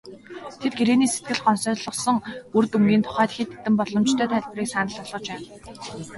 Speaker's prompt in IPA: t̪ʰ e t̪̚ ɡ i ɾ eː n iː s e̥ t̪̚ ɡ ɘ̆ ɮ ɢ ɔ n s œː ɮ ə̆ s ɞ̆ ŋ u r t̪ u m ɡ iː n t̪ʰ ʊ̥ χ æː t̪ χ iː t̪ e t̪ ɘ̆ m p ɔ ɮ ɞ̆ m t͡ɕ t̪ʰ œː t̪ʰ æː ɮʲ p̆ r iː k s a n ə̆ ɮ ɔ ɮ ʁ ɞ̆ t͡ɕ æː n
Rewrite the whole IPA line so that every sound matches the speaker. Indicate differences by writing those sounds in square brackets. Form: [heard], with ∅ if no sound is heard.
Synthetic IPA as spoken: t̪ʰ e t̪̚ ɡ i ɾ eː n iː s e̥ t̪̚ ɡ ɘ̆ ɮ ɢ ɔ n s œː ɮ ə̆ s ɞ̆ ŋ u r t̪ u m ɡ iː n t̪ʰ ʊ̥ χ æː t̪ [x] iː t̪ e t̪ ɘ̆ m p ɔ ɮ ɞ̆ m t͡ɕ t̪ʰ œː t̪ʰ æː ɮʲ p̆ r iː k s a n ə̆ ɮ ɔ ɮ ʁ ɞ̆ t͡ɕ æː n